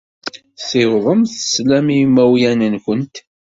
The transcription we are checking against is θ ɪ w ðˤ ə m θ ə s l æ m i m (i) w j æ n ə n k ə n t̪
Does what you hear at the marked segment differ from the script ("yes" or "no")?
yes